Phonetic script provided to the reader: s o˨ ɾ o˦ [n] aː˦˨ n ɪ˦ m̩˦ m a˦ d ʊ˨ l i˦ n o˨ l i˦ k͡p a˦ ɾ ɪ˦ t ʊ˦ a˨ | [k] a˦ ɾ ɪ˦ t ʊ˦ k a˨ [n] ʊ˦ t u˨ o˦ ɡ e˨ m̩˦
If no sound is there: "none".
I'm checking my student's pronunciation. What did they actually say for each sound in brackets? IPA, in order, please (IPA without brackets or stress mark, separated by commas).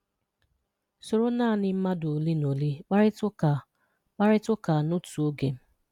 n, k͡p, n